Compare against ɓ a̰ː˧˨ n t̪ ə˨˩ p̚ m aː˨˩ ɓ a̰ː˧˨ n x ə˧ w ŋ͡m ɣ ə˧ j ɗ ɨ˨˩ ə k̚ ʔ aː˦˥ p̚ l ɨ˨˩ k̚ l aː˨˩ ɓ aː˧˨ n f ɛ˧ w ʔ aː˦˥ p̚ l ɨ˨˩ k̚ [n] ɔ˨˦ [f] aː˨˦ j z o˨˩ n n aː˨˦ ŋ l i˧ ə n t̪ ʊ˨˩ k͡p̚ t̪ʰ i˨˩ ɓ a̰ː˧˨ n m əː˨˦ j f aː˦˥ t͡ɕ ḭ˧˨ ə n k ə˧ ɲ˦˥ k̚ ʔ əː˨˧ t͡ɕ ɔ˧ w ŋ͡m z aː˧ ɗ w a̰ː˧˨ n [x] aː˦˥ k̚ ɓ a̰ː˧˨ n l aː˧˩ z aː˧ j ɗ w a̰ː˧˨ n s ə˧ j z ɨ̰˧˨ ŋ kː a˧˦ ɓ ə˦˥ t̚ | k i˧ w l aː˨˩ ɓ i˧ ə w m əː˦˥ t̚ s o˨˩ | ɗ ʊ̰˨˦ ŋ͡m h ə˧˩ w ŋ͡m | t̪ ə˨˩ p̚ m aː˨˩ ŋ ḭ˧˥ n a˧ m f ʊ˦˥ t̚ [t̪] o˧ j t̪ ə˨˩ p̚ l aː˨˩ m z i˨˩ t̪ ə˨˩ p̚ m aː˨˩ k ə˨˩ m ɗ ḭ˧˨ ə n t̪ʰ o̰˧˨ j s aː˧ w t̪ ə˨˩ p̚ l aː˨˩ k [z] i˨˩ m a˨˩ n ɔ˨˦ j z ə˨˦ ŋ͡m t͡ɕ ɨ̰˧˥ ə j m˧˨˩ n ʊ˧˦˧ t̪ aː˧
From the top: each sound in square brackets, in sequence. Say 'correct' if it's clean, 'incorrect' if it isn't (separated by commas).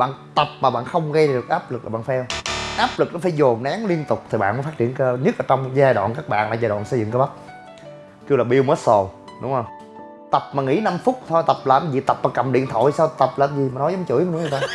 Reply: correct, correct, incorrect, incorrect, correct